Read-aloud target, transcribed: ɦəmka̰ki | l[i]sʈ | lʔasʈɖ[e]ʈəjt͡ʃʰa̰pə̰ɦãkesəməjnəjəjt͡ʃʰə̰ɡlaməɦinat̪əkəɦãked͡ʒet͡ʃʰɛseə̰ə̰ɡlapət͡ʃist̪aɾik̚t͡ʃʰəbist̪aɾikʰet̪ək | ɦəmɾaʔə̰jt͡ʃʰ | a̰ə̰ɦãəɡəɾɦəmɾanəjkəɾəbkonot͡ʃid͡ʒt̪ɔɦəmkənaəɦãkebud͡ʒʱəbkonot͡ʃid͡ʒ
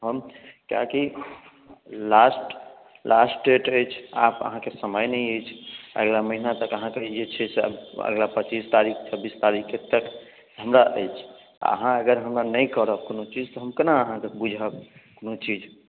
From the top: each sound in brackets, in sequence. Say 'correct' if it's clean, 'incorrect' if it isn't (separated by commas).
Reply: incorrect, correct